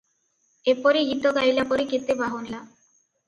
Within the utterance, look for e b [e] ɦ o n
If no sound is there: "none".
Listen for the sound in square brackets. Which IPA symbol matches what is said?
a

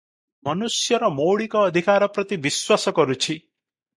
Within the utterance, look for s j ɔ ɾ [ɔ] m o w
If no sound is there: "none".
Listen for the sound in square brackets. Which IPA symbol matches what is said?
ɔ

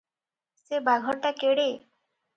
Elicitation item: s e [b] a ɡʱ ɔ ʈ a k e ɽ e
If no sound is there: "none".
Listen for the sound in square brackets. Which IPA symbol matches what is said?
b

